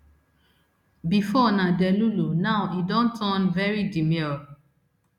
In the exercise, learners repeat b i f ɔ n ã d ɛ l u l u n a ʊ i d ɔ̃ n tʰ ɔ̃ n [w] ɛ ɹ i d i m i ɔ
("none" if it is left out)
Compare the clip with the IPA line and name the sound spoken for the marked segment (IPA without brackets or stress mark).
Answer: v